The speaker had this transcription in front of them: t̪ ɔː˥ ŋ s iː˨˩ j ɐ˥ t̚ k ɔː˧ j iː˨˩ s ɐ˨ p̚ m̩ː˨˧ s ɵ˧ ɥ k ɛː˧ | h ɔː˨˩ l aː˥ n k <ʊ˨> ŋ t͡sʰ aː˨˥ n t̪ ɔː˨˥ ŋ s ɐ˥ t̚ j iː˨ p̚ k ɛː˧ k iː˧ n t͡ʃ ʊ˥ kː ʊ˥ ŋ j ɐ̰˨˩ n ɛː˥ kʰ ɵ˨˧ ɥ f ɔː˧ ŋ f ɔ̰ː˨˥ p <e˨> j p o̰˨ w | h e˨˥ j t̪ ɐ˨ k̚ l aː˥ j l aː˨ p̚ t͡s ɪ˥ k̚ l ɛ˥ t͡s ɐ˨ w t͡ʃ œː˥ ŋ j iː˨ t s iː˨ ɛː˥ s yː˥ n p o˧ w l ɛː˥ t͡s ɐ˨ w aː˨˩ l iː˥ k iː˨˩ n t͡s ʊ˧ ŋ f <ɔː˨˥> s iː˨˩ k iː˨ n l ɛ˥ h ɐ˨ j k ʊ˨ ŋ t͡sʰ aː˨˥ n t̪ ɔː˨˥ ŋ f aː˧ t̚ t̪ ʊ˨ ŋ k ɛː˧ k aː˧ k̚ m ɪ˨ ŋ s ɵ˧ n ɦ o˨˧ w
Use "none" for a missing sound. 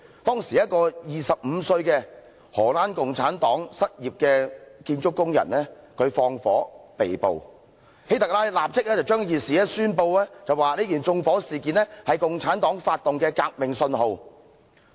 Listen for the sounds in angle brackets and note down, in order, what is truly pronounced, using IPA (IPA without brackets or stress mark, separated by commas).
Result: ʊ˨, e˨, ɔː˨˥